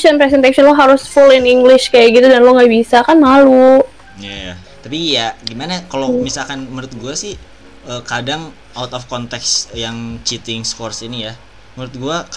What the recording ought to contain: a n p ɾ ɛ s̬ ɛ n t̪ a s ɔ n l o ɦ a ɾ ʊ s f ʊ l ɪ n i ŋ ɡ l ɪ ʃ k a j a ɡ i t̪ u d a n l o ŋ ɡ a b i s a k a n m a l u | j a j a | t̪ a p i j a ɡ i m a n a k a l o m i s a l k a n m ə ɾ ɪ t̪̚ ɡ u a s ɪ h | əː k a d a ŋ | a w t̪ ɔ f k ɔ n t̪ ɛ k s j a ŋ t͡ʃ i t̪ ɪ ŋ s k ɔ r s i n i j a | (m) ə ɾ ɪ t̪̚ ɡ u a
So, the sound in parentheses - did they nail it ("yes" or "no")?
yes